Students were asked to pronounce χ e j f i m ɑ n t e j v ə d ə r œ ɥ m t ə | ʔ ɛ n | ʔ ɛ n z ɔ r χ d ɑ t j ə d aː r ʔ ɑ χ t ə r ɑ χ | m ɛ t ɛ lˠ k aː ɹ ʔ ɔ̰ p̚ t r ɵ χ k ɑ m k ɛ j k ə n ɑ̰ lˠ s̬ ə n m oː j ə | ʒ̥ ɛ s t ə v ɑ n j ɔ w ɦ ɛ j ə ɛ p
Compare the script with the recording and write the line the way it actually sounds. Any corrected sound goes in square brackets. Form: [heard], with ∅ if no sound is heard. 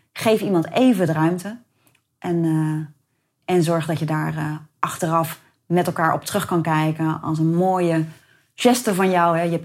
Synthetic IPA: χ e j f i m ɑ n t e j v ə d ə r œ ɥ m t ə | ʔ ɛ n | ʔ ɛ n z ɔ [ɹ] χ d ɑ t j ə d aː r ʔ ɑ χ t ə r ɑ [f] | m ɛ t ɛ lˠ k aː ɹ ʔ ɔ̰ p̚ t r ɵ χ k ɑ [n] k ɛ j k ə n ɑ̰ lˠ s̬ ə n m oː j ə | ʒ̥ ɛ s t ə v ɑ n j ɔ w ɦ ɛ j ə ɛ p